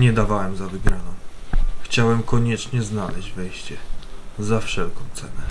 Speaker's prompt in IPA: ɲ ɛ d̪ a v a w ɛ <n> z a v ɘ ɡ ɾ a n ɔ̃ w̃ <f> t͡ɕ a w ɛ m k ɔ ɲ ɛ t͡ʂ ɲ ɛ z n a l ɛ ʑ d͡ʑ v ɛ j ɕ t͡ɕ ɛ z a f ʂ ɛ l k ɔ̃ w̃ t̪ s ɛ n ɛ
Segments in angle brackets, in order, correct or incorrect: incorrect, incorrect

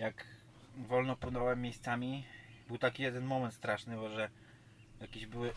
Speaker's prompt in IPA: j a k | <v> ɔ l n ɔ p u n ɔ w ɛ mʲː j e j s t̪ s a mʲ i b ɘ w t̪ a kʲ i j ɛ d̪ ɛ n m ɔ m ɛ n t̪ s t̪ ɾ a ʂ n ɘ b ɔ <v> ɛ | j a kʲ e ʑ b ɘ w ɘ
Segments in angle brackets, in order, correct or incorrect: correct, incorrect

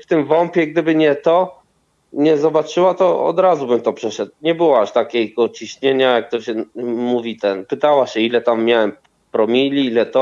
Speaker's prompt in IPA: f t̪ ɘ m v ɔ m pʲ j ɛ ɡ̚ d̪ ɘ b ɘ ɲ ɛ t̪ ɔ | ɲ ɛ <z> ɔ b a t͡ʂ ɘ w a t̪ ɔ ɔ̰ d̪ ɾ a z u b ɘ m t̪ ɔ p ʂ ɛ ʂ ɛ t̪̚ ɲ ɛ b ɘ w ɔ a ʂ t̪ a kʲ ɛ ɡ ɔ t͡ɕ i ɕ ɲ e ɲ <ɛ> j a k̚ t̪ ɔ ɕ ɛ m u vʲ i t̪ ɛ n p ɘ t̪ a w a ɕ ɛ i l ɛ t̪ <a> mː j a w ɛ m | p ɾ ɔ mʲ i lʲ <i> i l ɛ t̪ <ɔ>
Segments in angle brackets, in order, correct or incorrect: correct, incorrect, correct, correct, correct

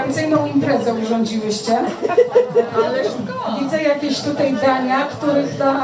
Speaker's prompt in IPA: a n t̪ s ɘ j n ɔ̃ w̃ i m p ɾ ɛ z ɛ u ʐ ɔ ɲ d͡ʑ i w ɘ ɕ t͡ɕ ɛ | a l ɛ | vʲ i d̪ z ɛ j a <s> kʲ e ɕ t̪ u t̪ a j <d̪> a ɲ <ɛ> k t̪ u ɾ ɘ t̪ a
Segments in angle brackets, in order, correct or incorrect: incorrect, correct, incorrect

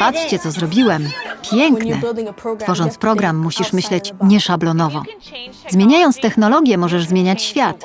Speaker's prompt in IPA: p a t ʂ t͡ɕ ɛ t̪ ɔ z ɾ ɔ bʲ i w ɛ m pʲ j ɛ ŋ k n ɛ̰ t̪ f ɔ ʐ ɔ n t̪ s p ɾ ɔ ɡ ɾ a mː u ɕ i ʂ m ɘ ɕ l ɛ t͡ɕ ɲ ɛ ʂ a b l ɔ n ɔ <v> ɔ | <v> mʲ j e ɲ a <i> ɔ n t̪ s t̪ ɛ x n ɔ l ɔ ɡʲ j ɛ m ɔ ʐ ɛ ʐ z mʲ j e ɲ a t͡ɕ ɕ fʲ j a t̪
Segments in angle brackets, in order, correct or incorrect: correct, incorrect, incorrect

